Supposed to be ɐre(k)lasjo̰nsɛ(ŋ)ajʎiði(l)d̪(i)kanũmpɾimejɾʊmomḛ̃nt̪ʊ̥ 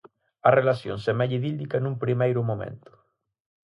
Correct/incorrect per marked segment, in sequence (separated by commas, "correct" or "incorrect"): incorrect, incorrect, correct, correct